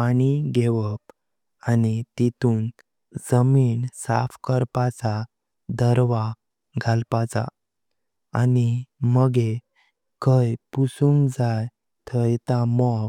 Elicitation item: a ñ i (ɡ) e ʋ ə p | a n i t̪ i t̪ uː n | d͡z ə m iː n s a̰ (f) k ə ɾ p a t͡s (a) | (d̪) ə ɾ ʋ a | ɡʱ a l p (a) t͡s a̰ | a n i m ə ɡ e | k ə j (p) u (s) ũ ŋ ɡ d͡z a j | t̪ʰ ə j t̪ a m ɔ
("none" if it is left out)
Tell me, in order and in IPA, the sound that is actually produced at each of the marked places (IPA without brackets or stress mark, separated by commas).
ɡ, f, a, d̪, a, p, s